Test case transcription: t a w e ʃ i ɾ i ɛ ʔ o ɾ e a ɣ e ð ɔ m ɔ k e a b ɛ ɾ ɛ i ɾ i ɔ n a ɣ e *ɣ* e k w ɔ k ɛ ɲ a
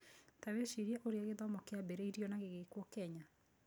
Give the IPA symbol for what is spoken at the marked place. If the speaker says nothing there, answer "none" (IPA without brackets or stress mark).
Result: ɣ